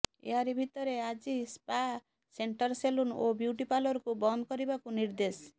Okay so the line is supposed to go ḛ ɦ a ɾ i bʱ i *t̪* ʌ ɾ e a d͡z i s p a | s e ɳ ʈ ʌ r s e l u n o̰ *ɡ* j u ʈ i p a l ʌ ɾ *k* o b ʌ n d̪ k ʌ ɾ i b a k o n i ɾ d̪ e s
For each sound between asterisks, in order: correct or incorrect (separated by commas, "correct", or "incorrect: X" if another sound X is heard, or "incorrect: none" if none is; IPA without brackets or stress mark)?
correct, incorrect: b, correct